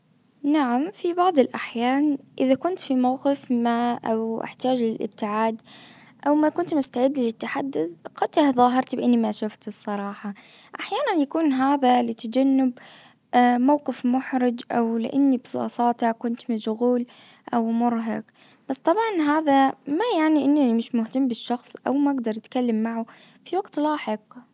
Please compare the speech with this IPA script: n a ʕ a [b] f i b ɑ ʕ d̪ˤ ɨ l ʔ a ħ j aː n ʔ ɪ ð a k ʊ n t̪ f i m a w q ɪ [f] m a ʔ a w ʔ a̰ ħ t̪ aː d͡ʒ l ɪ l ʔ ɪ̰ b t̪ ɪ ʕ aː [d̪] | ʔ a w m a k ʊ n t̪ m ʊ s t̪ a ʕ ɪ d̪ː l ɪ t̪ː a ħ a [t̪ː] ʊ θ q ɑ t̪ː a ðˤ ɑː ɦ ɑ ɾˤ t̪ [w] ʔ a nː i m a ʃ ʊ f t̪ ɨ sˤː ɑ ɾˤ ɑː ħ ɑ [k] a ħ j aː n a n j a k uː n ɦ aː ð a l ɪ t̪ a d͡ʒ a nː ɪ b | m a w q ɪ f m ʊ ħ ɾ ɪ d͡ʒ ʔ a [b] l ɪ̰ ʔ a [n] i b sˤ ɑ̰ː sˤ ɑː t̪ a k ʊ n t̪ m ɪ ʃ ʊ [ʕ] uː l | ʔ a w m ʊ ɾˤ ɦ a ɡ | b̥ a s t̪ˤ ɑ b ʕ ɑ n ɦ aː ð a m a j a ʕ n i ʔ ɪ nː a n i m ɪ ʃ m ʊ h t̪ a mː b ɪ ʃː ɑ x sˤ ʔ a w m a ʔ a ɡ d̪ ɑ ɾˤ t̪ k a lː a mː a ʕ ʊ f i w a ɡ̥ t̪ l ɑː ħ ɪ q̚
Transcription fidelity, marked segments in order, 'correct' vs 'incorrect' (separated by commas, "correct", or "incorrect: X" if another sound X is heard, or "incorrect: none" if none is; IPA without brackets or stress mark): incorrect: m, correct, correct, incorrect: d̪ː, incorrect: b, incorrect: ʔ, incorrect: w, incorrect: nː, incorrect: ɣ